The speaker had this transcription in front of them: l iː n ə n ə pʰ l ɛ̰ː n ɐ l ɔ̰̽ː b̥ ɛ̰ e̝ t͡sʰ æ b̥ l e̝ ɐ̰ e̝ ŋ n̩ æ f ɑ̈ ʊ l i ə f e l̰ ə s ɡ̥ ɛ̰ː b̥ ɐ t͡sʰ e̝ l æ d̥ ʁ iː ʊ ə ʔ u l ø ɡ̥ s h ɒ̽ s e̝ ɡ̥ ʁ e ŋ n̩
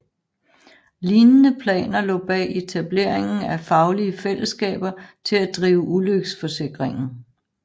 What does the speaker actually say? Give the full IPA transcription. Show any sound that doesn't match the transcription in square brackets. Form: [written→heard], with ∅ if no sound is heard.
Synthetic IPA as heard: l iː n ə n ə pʰ l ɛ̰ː n ɐ l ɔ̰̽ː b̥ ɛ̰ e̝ t͡sʰ æ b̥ l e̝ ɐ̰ e̝ ŋ n̩ æ f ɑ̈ ʊ l i ə f e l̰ ə s ɡ̥ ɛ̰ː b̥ ɐ t͡sʰ e̝ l æ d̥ ʁ iː ʊ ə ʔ u l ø ɡ̥ s [h→f] ɒ̽ s e̝ ɡ̥ ʁ e ŋ n̩

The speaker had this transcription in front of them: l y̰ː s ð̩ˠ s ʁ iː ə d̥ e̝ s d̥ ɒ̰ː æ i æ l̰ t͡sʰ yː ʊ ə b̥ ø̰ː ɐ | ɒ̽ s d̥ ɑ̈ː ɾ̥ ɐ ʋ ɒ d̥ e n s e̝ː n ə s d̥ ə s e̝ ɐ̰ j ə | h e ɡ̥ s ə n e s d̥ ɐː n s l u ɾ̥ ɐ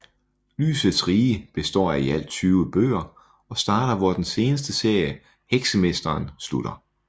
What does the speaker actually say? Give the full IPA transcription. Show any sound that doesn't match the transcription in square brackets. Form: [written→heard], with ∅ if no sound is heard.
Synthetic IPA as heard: l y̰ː s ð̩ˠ s ʁ iː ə [d̥→b̥] e̝ s d̥ ɒ̰ː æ i æ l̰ t͡sʰ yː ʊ ə b̥ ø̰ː ɐ | ɒ̽ s d̥ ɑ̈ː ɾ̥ ɐ ʋ ɒ d̥ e n s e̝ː n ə s d̥ ə s e̝ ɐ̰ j ə | h e ɡ̥ s ə [n→m] e s d̥ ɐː n s l u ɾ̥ ɐ

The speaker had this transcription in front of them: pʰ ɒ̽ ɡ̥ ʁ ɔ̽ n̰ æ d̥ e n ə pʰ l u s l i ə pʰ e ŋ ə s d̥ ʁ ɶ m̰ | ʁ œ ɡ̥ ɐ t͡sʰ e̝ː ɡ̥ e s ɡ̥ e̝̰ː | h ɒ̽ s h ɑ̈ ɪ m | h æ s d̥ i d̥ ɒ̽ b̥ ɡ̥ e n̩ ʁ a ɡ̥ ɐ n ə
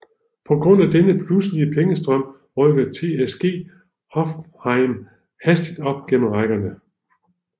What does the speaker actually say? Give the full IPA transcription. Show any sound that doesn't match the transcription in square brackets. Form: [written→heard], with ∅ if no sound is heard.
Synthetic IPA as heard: pʰ ɒ̽ ɡ̥ ʁ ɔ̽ n̰ æ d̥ e n ə pʰ l u s l i ə pʰ e ŋ ə s d̥ ʁ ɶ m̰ | ʁ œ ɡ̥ ɐ t͡sʰ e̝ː [ɡ̥→∅] e s ɡ̥ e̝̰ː | h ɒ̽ [s→f] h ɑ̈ ɪ m | h æ s d̥ i d̥ ɒ̽ b̥ ɡ̥ e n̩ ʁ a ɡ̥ ɐ n ə

